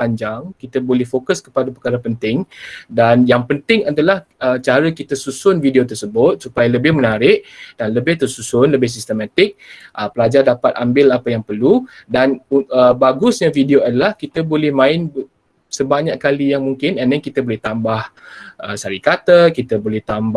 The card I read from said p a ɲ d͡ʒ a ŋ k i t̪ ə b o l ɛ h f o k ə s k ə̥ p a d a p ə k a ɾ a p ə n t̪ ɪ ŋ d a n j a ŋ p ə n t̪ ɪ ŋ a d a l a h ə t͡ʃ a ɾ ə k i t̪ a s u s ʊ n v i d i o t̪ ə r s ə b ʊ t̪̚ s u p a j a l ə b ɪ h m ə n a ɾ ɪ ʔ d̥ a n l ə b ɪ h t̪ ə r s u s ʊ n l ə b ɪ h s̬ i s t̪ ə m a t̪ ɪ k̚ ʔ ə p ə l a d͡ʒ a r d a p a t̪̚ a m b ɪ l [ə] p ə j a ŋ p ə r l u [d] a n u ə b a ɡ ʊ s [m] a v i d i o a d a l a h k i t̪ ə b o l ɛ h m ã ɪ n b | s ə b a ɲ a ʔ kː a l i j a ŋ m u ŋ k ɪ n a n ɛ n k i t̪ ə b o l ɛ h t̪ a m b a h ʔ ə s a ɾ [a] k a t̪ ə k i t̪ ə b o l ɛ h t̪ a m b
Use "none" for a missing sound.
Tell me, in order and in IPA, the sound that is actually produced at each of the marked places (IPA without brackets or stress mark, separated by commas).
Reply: a, d, ɲ, i